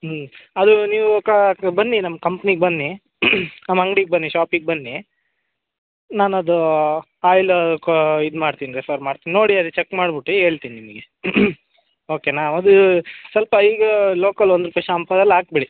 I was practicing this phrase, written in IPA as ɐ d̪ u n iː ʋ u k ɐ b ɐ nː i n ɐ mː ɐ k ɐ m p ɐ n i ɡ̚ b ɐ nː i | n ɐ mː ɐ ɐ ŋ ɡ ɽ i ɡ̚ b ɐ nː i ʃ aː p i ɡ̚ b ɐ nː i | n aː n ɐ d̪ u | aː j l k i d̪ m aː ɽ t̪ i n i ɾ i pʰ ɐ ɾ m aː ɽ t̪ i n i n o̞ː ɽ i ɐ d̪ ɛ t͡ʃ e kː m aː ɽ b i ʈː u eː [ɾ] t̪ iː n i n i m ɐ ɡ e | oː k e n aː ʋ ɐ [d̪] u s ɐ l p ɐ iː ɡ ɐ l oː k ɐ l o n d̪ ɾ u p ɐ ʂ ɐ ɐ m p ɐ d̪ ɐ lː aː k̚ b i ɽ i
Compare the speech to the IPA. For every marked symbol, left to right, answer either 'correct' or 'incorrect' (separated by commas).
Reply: incorrect, correct